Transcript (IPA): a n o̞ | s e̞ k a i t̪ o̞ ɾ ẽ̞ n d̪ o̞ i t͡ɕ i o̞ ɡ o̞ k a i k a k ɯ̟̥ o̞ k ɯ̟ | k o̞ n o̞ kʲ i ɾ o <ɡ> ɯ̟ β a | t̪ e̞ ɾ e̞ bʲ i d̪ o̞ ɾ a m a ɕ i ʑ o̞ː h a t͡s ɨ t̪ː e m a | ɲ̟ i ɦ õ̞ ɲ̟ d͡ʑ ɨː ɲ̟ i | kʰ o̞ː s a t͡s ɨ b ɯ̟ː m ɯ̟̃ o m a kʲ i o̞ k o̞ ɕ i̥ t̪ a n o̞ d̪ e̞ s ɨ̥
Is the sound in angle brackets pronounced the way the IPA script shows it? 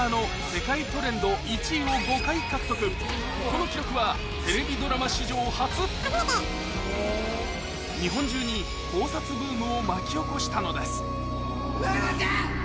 no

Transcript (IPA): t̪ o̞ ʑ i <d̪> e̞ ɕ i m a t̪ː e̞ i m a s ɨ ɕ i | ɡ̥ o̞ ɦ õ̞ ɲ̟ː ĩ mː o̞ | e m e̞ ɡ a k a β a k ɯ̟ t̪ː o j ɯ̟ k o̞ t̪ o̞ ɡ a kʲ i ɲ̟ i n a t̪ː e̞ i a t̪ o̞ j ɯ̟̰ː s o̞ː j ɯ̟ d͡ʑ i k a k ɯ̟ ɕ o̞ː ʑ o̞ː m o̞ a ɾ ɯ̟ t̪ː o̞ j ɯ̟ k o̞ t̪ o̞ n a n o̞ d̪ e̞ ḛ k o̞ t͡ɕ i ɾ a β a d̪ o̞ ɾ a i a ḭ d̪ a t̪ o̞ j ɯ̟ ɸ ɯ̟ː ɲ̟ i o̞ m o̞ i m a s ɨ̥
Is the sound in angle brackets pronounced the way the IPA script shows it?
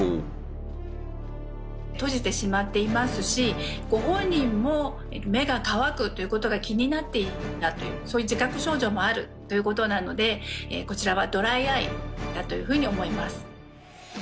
no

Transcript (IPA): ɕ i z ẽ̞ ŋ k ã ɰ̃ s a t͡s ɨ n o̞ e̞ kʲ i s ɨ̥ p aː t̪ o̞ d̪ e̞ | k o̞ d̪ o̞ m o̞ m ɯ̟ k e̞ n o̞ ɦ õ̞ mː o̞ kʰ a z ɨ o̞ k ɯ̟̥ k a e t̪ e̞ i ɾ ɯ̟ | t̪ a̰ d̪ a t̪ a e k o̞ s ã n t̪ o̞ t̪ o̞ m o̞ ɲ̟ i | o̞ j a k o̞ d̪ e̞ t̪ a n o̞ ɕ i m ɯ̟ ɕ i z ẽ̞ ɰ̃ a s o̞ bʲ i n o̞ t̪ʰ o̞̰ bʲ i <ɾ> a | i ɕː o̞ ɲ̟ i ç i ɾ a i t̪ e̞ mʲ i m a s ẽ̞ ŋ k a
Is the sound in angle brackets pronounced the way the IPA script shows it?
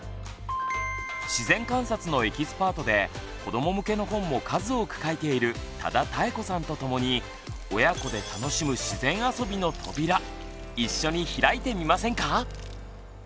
yes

